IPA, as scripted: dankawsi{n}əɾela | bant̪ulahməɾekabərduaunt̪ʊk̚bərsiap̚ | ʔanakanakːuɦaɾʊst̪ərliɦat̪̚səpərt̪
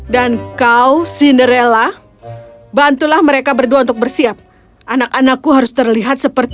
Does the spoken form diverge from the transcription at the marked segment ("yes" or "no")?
no